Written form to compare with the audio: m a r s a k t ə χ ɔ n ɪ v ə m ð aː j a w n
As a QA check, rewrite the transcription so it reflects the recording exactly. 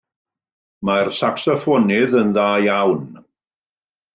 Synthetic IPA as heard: m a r s a k s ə f ɔ n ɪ ð ə n ð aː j a w n